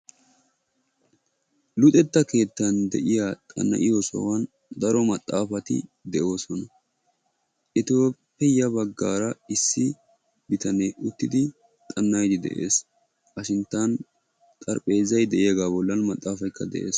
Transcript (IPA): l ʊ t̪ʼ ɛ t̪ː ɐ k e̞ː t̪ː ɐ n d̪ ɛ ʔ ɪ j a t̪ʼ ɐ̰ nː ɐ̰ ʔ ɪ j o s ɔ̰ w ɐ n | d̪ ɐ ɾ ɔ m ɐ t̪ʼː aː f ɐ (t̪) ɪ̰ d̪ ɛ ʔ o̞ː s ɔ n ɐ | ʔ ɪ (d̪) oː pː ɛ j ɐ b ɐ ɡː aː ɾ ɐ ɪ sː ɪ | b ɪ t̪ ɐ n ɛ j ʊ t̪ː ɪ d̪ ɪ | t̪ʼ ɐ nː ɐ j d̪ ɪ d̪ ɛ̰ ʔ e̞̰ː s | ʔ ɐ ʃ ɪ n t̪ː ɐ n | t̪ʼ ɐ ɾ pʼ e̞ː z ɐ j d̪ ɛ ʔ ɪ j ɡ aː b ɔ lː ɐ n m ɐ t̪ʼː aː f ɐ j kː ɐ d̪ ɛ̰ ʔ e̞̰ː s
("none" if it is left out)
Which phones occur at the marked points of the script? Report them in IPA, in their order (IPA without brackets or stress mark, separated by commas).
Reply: t̪, t̪